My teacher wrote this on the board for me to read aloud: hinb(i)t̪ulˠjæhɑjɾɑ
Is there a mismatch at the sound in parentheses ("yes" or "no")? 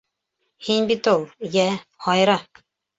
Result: no